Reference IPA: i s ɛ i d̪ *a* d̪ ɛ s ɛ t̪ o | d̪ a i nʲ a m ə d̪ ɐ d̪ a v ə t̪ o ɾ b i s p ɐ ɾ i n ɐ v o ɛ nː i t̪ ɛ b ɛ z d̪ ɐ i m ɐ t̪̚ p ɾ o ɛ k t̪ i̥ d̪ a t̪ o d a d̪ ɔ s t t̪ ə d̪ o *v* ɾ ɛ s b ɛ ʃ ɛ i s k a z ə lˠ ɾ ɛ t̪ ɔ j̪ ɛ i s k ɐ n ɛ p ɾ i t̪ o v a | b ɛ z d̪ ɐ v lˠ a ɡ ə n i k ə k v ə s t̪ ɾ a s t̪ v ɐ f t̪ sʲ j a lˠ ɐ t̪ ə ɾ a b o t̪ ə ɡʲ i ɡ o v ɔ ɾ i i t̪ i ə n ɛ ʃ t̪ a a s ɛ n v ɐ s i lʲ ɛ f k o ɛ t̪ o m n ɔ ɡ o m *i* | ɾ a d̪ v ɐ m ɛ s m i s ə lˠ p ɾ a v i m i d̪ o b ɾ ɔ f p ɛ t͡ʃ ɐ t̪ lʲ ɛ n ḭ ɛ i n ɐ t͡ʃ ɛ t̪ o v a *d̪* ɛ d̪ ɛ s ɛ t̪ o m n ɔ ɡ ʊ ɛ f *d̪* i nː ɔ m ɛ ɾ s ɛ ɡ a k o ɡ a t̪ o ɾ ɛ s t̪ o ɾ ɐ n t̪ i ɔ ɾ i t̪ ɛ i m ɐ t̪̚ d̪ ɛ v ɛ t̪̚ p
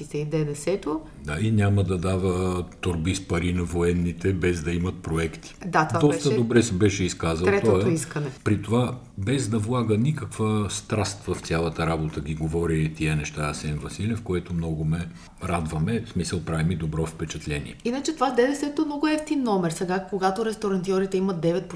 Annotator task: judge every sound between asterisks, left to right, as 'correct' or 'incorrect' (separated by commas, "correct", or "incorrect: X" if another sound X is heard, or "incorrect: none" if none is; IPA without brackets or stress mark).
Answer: incorrect: ɛ, incorrect: b, incorrect: ɛ, correct, incorrect: t̪